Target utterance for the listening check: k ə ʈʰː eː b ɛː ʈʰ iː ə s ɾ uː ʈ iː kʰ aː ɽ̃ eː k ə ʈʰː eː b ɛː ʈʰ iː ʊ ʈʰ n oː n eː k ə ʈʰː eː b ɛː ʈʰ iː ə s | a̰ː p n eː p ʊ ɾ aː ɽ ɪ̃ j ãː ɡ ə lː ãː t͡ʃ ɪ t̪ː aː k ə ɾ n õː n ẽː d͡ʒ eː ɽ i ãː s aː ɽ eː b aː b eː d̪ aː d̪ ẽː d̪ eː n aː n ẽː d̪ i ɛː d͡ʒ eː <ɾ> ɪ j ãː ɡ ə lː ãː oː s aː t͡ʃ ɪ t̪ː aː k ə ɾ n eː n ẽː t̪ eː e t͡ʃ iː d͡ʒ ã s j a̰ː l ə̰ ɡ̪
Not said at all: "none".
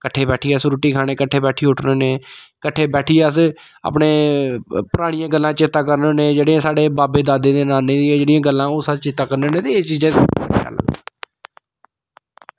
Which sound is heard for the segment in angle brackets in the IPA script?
ɽ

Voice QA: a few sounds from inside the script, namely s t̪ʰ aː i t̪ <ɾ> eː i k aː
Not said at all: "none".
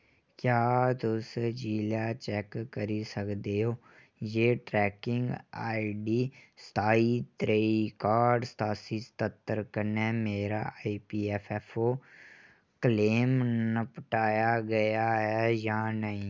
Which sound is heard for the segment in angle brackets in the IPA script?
ɾ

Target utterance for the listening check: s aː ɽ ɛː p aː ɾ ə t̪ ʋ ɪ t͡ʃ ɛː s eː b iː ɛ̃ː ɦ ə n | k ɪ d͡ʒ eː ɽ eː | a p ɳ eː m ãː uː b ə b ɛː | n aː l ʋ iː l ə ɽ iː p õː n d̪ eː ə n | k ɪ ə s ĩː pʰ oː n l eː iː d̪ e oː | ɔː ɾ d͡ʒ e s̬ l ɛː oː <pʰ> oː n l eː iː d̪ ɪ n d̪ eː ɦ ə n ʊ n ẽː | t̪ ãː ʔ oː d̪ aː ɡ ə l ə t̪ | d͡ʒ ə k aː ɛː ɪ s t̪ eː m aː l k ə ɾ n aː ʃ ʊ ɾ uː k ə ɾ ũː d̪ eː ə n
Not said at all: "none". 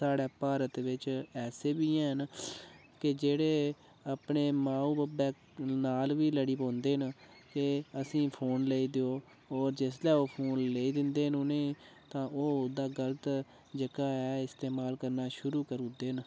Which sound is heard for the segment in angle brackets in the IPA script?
pʰ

